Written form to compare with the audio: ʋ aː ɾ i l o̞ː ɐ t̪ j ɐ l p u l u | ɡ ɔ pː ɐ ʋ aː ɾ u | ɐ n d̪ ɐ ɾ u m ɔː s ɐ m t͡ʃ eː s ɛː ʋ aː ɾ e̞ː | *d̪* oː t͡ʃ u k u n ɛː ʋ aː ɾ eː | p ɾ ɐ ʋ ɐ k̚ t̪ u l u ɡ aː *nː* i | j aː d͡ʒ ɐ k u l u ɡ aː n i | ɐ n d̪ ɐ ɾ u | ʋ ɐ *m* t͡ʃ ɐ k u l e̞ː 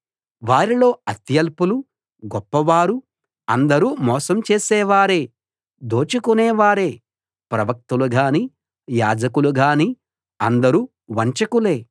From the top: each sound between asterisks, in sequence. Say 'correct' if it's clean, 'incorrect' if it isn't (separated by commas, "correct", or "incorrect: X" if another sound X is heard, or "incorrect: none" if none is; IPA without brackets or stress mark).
correct, incorrect: n, incorrect: ɲ